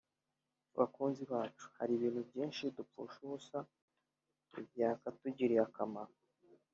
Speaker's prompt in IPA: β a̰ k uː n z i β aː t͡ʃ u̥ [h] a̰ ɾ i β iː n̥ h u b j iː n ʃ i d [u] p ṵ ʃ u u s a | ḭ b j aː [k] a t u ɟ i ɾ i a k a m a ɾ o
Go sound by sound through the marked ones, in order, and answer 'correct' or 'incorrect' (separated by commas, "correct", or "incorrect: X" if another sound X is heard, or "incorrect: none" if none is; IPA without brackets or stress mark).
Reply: correct, correct, correct